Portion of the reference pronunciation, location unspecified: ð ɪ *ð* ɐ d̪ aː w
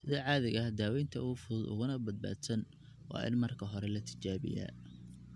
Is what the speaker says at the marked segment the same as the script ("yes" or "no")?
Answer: no